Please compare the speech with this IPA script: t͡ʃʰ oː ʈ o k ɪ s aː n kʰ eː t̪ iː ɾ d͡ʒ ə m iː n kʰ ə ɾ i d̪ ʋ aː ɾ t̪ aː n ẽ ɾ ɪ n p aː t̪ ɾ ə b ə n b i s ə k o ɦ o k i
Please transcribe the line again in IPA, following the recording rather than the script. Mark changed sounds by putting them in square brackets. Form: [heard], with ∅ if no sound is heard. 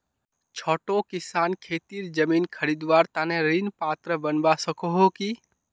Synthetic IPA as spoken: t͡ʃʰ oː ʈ o k ɪ s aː n kʰ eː t̪ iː ɾ d͡ʒ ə m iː n kʰ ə ɾ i d̪ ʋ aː ɾ t̪ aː n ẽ ɾ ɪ n p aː t̪ ɾ ə b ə n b [a] s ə k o ɦ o k i